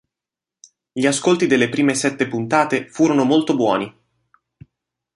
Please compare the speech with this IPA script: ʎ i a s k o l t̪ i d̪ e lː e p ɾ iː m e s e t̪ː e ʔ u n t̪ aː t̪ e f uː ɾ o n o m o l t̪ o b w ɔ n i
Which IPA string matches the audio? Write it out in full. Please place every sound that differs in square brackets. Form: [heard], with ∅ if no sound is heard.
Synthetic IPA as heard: ʎ i a s k o l t̪ i d̪ e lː e p ɾ iː m e s [ɛ] t̪ː e [p] u n t̪ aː t̪ e f uː ɾ o n o m o l t̪ o b w [ɔː] n i